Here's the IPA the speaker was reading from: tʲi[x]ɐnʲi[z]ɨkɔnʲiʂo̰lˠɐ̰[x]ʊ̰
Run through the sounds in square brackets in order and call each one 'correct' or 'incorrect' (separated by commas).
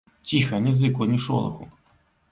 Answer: correct, correct, correct